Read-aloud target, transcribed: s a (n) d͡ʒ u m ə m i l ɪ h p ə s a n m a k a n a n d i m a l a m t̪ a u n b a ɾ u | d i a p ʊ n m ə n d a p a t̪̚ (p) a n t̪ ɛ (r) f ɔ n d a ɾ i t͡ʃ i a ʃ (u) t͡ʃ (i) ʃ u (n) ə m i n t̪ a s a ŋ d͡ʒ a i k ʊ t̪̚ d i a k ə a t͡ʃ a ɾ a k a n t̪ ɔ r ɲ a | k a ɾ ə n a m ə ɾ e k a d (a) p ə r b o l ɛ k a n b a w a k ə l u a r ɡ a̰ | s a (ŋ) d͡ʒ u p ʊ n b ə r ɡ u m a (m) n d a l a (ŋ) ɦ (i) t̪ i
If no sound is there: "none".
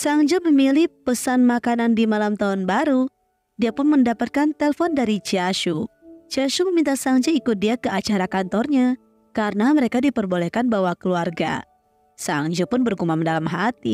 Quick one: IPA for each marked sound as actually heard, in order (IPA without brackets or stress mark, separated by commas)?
ŋ, k, l, u, a, m, i, ŋ, m, m, a